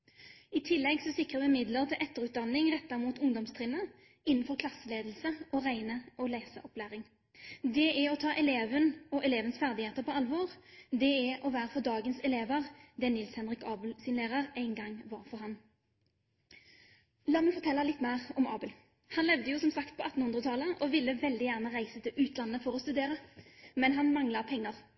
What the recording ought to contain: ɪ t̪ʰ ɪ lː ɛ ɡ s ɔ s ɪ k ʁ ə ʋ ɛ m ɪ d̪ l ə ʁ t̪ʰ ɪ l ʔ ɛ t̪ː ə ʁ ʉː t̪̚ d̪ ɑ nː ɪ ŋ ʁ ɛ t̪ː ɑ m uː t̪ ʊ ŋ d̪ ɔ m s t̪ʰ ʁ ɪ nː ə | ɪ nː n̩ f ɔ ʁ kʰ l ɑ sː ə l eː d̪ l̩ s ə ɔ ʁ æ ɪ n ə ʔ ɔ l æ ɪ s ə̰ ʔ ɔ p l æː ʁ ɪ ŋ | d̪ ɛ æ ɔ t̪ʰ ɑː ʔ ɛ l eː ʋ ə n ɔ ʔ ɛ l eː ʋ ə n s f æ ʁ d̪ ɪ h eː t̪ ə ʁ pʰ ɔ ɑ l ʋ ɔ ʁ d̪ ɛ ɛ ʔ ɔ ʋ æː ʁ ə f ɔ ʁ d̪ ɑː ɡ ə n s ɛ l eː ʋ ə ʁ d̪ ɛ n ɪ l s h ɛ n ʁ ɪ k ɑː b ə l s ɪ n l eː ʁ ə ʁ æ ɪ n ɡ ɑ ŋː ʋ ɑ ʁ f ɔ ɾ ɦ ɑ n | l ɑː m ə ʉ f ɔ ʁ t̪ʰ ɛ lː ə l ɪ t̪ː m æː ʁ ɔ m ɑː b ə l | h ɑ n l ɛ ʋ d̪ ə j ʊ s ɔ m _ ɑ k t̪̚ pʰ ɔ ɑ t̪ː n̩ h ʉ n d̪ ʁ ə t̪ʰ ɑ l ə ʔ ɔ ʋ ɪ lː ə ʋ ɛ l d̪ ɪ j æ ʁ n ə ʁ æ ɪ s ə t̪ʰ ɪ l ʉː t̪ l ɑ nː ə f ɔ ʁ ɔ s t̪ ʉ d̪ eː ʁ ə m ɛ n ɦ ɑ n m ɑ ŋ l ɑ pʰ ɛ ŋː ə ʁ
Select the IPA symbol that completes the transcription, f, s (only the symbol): s